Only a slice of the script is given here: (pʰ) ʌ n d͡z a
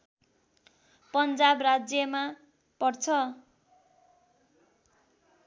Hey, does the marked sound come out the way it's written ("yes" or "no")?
no